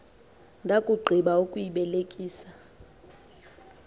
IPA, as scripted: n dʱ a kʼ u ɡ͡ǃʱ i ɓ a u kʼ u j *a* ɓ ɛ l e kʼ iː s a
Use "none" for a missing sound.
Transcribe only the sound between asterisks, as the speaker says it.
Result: i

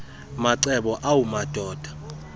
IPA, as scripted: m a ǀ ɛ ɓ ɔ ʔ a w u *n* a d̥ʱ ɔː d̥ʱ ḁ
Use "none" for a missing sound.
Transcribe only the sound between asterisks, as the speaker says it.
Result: m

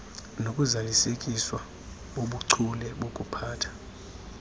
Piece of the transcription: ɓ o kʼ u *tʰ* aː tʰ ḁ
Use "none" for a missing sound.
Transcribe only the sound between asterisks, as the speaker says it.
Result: pʰ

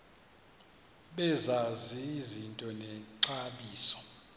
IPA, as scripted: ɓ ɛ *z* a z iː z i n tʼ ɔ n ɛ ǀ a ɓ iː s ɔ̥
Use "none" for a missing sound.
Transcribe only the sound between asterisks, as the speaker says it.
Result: z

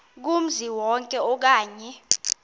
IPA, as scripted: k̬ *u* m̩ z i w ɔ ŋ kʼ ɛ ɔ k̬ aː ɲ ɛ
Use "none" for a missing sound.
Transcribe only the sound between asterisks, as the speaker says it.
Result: u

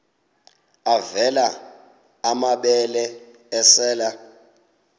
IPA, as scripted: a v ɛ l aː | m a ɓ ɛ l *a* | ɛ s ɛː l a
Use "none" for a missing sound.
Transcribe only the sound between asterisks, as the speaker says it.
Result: ɛ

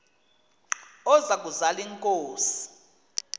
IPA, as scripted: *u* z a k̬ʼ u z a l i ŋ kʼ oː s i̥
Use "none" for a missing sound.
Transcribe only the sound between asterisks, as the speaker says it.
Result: ɔ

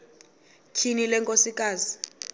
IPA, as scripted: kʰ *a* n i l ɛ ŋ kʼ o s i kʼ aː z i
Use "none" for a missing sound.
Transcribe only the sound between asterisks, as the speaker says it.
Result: i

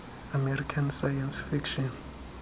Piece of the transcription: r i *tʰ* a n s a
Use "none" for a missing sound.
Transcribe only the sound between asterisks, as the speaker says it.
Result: kʰ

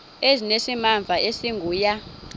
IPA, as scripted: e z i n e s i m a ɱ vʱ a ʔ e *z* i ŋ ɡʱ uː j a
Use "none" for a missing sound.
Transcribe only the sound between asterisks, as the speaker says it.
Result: s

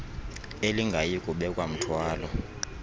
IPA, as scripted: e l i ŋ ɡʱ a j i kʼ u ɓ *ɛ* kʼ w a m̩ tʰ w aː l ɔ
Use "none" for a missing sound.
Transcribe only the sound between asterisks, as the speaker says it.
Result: ɛ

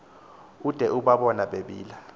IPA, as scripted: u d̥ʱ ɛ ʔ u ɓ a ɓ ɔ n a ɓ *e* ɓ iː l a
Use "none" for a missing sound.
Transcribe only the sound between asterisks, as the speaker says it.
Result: e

